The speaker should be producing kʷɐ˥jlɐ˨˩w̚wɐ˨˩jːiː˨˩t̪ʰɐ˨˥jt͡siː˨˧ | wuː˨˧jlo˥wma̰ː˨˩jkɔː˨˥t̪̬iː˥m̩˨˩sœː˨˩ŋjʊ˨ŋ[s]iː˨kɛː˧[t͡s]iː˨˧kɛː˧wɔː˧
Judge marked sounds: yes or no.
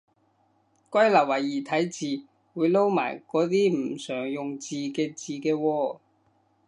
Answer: no, yes

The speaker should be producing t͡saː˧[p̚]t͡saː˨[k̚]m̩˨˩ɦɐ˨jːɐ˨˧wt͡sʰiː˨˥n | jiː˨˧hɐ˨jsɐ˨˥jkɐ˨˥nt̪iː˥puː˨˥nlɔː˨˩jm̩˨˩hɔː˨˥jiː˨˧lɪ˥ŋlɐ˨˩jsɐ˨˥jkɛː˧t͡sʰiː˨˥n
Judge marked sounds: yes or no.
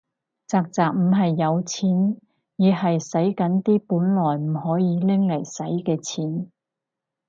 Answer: no, yes

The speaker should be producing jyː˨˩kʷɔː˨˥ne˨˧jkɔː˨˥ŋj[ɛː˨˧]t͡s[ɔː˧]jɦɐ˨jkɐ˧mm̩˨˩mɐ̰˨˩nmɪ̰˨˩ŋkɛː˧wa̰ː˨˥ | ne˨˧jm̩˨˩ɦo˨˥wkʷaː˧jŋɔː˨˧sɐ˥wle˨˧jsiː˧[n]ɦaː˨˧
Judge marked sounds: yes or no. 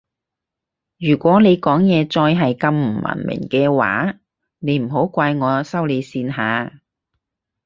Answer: yes, yes, yes

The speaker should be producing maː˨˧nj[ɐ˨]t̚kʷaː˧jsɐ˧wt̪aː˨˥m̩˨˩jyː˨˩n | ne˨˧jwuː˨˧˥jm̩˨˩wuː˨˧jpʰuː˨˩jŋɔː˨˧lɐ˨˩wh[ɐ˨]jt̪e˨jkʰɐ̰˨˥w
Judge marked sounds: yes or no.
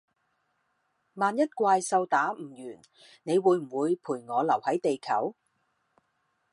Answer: no, no

